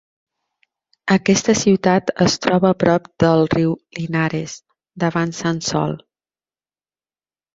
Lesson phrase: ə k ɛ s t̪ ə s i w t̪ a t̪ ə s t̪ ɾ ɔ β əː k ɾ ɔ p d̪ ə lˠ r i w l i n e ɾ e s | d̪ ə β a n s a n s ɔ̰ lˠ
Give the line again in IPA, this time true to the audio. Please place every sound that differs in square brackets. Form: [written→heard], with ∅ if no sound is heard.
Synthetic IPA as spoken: ə k ɛ s t̪ ə s i w t̪ a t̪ ə s t̪ ɾ ɔ β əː [k→p] ɾ ɔ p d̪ ə lˠ r i w l i n [e→a] ɾ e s | d̪ ə β a n s a n s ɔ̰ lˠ